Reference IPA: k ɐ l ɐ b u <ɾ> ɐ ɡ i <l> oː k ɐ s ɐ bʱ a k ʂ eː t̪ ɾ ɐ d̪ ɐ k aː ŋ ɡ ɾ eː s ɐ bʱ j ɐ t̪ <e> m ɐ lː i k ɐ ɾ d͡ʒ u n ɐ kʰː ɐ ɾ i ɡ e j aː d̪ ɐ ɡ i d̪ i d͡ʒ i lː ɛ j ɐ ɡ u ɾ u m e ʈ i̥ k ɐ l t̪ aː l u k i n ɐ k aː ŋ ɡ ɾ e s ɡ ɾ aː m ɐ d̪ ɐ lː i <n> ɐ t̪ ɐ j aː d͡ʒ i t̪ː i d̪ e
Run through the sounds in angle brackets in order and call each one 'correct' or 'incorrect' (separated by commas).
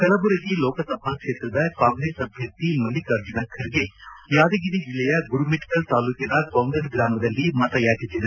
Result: correct, correct, incorrect, incorrect